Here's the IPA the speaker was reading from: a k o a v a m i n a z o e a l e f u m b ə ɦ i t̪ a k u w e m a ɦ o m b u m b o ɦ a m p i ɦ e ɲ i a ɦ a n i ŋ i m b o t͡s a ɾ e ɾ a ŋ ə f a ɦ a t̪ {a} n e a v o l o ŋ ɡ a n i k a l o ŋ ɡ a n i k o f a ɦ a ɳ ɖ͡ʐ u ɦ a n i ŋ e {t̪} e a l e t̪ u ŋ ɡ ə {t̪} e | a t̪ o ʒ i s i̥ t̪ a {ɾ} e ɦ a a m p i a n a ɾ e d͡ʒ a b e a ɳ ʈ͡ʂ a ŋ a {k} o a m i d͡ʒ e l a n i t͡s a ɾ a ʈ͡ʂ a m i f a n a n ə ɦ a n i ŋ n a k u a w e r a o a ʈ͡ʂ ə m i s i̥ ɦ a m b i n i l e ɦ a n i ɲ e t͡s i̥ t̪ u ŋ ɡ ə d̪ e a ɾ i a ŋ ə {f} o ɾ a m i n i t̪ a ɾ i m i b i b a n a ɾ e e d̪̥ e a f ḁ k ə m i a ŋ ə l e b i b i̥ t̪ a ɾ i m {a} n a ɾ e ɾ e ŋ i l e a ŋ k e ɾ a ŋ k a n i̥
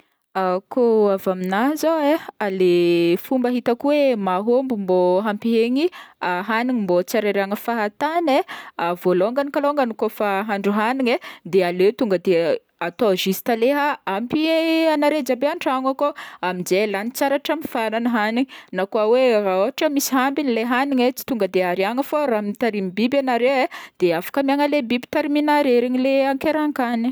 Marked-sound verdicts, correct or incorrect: correct, incorrect: d̪, incorrect: d̪, incorrect: l, correct, correct, incorrect: i

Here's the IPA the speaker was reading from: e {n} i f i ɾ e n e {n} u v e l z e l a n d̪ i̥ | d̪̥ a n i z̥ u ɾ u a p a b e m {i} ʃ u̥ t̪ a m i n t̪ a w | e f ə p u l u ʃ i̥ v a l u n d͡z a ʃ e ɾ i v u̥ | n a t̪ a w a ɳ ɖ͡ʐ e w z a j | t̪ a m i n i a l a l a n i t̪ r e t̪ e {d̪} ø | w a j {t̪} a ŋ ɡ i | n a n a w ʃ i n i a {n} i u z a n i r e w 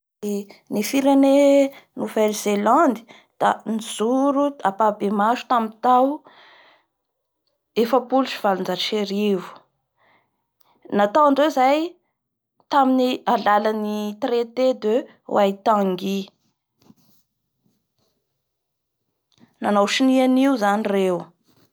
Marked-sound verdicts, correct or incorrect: correct, correct, incorrect: a, correct, correct, correct

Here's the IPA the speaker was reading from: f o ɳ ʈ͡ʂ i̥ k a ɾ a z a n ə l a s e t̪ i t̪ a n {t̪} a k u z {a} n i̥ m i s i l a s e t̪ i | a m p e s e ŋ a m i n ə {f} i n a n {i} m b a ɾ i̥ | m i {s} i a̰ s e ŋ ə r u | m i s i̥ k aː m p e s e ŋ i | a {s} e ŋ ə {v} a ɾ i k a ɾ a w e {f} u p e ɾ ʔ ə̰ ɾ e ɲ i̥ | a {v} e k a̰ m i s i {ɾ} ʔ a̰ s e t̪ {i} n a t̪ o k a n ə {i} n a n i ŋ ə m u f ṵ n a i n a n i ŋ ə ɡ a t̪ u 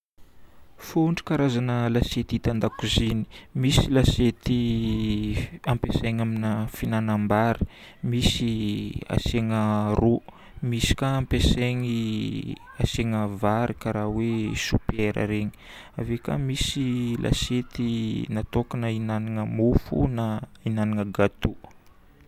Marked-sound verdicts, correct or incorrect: incorrect: d̪, incorrect: i, correct, incorrect: a, correct, correct, correct, incorrect: s, correct, incorrect: l, correct, correct

